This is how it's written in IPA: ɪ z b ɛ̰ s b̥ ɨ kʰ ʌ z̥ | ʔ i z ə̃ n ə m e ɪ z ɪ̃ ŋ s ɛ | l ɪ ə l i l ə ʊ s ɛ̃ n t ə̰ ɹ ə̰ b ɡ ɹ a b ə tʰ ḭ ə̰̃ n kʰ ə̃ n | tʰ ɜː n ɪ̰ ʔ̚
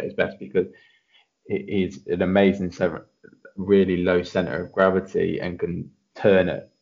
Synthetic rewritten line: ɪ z b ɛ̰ s b̥ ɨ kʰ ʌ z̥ | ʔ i z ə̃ n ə m e ɪ z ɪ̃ ŋ s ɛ | ɹ ɪ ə l i l ə ʊ s ɛ̃ n t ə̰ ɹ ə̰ v ɡ ɹ a v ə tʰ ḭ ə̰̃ n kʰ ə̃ n | tʰ ɜː n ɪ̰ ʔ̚